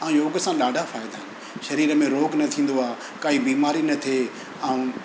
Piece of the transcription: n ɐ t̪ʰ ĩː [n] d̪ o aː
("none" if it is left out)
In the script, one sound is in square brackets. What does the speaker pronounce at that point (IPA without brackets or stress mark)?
n